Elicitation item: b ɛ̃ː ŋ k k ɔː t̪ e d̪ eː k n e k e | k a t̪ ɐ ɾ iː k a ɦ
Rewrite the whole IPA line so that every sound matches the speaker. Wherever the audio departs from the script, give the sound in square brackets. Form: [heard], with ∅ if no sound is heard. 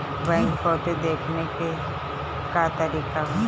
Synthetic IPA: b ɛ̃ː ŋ k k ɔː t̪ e d̪ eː [kʰ] n e k e | k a t̪ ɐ ɾ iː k a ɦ